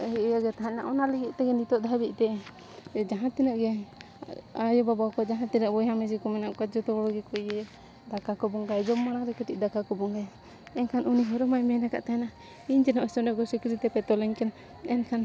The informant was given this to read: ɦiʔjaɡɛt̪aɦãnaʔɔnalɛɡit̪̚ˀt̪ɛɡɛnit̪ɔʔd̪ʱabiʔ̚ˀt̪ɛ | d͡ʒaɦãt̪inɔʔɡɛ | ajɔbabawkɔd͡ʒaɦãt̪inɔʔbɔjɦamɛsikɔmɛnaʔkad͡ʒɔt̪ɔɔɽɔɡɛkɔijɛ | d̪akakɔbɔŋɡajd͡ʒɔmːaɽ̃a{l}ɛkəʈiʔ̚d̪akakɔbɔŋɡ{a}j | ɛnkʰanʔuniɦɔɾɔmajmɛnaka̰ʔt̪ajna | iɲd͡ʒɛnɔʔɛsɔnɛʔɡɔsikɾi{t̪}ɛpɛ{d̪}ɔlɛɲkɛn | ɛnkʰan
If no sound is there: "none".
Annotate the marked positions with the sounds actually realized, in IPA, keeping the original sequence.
ɾ, a, t̪, t̪

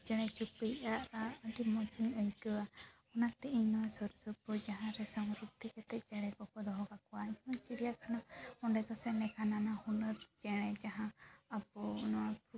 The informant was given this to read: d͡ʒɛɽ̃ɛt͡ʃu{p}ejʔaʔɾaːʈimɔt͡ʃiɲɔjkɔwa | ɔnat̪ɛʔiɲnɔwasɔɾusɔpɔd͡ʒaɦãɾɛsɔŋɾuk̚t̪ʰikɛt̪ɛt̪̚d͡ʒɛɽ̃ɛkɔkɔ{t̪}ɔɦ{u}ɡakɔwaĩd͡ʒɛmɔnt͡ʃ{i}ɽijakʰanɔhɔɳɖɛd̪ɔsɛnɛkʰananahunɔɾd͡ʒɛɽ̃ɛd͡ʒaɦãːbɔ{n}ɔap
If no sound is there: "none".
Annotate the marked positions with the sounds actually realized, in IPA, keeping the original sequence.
p, d̪, ɔ, i, n

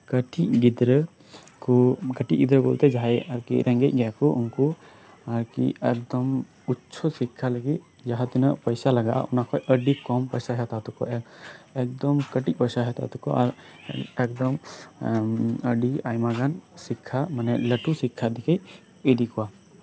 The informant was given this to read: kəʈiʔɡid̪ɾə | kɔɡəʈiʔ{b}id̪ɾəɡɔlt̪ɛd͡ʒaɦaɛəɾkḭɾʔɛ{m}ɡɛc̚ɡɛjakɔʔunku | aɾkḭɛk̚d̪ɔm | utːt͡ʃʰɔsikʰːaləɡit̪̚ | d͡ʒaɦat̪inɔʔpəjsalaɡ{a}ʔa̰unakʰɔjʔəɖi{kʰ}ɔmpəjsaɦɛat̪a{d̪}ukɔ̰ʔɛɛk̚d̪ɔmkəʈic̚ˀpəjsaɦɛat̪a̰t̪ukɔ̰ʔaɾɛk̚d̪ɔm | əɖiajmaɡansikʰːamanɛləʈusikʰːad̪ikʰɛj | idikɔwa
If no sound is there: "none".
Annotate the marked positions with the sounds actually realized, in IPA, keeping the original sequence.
ɡ, ŋ, a, k, t̪

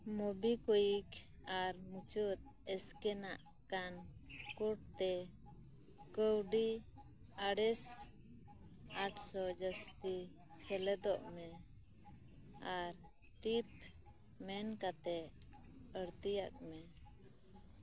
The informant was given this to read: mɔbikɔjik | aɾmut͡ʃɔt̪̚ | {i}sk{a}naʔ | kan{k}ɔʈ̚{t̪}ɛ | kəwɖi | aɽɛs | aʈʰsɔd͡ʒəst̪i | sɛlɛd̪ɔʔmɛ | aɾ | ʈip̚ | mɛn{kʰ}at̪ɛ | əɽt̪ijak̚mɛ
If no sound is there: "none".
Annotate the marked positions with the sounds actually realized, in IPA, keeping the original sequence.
ɛ, ɛ, k, t̪, k

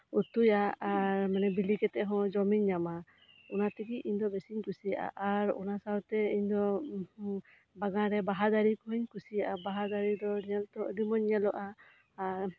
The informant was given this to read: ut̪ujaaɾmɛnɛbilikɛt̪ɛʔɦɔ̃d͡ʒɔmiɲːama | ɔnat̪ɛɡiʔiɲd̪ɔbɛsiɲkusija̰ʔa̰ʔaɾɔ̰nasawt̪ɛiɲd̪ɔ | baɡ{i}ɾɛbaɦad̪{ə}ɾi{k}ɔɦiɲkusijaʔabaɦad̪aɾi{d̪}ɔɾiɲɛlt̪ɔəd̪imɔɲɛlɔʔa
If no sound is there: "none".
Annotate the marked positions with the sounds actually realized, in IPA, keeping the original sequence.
a, a, k, d̪

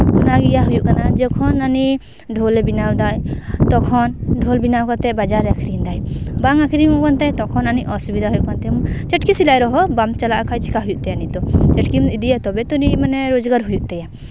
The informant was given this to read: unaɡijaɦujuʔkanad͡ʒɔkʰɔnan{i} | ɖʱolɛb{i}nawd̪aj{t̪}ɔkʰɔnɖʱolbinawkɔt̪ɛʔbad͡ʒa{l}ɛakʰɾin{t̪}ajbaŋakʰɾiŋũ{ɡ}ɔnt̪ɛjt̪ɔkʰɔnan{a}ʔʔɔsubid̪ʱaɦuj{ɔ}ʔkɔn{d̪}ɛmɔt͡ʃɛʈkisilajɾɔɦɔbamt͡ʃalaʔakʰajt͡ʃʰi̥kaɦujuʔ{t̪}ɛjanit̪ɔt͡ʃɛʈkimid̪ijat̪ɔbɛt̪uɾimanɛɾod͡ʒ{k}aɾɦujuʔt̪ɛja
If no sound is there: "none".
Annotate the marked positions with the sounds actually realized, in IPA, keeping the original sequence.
i, i, t̪, ɾ, d̪, k, i, u, t̪, t̪, ɡ

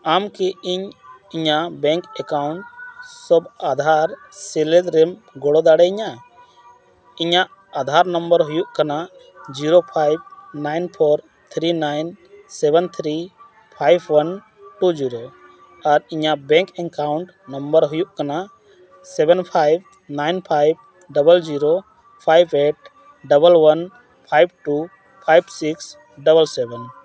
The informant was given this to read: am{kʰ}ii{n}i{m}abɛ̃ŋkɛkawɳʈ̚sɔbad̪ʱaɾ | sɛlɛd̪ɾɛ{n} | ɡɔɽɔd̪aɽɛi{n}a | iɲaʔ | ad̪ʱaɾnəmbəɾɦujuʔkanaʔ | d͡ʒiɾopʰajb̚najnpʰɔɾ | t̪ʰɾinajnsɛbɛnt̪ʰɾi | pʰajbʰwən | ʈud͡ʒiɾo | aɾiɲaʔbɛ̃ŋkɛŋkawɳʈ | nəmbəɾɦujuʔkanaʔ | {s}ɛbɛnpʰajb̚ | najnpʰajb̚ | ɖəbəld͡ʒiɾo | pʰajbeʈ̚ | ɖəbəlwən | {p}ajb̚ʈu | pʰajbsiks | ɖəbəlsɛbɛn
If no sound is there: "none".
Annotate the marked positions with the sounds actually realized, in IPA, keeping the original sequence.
k, ɲ, ɲ, m, ɲ, s, pʰ

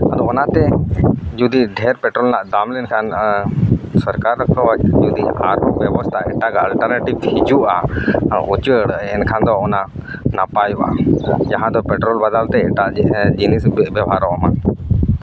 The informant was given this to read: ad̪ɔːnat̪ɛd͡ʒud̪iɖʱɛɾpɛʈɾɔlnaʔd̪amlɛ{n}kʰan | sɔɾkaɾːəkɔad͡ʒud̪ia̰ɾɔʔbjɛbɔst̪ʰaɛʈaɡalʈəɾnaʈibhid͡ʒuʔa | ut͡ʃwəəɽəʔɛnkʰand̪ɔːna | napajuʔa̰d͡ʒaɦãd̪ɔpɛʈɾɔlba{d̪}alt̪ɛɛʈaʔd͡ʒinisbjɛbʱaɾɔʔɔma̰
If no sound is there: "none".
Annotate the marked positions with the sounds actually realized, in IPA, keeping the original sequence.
n, d̪

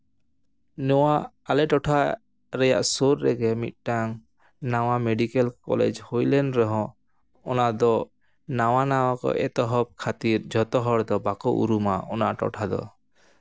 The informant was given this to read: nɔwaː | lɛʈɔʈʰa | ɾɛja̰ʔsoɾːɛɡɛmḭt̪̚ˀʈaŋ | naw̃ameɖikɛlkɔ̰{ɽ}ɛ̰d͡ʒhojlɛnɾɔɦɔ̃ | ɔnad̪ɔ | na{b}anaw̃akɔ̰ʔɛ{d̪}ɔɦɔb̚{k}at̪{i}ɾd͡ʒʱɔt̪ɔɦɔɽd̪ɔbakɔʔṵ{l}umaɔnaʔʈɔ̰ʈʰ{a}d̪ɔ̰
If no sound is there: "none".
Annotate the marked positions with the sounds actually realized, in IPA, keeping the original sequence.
l, w, t̪, kʰ, i, ɾ, a

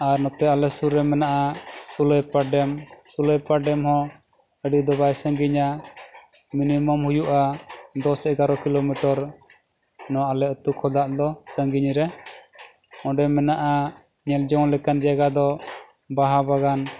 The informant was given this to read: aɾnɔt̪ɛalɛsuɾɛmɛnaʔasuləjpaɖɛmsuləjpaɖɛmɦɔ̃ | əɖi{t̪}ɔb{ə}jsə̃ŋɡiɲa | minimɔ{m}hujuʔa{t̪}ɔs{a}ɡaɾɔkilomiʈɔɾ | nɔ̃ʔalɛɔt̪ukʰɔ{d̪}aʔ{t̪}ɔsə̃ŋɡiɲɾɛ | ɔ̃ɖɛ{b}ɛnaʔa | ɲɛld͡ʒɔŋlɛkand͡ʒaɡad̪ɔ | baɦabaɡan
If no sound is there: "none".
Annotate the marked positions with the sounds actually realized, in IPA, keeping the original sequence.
d̪, a, m, d̪, ɛ, d̪, d̪, m

